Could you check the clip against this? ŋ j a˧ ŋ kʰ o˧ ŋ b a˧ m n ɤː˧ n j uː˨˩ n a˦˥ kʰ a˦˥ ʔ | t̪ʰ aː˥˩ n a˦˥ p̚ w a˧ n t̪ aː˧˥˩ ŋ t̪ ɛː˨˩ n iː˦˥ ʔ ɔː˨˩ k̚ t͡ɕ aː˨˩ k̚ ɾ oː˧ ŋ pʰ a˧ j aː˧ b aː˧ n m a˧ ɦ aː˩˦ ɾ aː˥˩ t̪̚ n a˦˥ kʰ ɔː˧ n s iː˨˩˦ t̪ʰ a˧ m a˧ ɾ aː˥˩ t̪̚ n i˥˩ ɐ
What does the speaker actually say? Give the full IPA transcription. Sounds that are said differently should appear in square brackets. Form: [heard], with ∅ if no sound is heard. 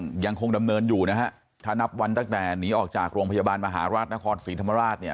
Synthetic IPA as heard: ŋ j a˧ ŋ kʰ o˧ ŋ [d] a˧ m n ɤː˧ n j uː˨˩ n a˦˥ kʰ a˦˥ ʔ | t̪ʰ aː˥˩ n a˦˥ p̚ w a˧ n t̪ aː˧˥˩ ŋ t̪ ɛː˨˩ n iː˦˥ ʔ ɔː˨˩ k̚ t͡ɕ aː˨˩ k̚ ɾ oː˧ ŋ pʰ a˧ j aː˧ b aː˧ n m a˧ ɦ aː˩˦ ɾ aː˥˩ t̪̚ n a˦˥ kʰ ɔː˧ n s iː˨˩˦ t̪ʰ a˧ m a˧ ɾ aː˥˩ t̪̚ n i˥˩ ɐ